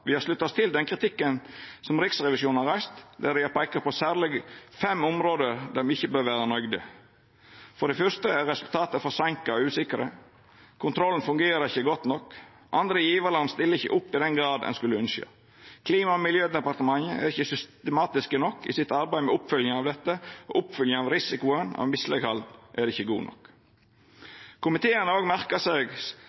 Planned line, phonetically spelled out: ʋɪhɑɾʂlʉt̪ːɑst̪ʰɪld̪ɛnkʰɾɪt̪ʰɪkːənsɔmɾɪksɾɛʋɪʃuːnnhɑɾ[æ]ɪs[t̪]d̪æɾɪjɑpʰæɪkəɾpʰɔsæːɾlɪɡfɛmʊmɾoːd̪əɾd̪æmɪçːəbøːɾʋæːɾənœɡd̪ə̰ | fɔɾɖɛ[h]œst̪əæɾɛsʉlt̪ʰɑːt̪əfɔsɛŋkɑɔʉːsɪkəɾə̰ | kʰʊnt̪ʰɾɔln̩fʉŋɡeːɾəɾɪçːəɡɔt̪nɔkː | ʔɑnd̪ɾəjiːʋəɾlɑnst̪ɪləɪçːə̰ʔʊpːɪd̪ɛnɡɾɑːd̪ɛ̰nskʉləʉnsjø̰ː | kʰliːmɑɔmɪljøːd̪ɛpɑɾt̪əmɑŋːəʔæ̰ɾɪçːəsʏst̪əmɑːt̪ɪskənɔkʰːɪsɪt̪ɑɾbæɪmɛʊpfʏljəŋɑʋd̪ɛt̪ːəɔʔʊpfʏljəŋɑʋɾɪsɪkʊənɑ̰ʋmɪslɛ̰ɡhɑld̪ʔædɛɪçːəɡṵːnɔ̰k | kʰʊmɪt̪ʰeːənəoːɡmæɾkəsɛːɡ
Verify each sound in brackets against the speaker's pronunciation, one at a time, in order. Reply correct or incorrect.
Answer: correct, correct, incorrect: f

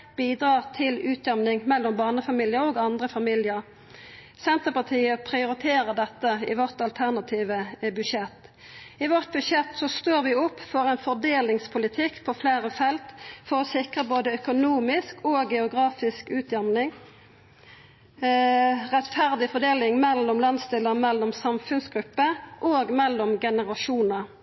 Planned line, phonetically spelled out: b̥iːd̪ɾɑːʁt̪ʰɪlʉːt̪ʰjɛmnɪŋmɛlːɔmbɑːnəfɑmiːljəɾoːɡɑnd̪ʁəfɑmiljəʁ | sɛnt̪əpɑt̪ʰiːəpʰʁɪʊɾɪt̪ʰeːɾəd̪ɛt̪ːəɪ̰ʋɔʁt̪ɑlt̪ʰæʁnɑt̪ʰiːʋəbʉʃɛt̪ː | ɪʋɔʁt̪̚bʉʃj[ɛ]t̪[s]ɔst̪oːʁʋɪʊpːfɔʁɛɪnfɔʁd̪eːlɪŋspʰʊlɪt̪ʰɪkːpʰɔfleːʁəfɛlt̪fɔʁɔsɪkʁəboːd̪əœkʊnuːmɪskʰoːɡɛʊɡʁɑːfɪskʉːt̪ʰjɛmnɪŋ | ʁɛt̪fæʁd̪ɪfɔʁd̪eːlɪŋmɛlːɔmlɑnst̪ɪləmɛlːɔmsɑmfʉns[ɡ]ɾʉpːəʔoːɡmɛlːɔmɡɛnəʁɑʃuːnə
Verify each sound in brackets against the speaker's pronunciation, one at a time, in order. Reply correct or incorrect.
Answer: correct, correct, correct

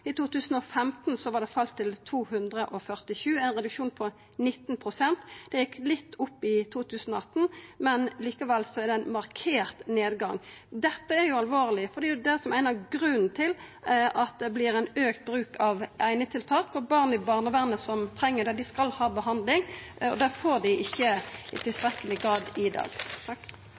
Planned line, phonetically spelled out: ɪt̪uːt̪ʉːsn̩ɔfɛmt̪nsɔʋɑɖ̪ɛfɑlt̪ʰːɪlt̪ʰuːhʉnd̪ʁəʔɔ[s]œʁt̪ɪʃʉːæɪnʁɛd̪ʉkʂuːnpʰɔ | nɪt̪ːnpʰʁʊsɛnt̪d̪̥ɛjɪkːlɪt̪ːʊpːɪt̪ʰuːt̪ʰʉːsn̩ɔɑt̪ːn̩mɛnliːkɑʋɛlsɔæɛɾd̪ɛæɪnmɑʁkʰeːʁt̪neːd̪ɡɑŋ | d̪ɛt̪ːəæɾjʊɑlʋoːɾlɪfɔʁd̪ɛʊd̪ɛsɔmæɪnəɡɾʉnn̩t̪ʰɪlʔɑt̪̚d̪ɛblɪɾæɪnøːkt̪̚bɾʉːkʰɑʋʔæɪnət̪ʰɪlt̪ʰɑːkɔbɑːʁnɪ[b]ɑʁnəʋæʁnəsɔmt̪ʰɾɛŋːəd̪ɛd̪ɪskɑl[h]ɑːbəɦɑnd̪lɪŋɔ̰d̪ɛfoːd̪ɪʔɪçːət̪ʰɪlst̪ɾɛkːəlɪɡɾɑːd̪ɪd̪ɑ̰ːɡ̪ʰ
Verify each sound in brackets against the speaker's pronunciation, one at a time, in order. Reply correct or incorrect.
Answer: incorrect: f, correct, correct

